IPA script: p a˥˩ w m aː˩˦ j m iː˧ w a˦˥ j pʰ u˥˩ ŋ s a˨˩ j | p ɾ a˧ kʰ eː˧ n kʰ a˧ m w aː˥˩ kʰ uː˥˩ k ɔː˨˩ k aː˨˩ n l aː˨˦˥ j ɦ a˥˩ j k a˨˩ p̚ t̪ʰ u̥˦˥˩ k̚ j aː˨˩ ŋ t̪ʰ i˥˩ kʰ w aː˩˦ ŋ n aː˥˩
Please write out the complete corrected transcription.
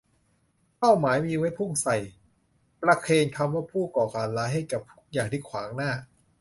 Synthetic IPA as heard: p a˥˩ w m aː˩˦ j m iː˧ w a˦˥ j pʰ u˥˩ ŋ s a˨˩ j | p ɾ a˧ kʰ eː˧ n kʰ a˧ m w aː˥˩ pʰ uː˥˩ k ɔː˨˩ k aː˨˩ n l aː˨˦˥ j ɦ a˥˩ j k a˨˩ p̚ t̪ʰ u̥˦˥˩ k̚ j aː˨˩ ŋ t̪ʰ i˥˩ kʰ w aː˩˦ ŋ n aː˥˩